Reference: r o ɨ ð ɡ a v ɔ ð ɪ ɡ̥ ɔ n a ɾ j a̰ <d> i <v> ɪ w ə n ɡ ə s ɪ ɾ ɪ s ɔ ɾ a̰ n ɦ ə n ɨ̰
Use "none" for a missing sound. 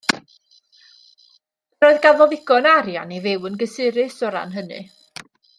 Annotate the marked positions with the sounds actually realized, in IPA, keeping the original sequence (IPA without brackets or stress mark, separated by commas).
n, v